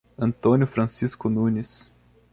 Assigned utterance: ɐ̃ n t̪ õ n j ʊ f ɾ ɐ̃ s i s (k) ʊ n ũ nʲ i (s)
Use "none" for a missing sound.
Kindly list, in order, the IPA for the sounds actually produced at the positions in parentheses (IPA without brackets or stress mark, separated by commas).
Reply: k, s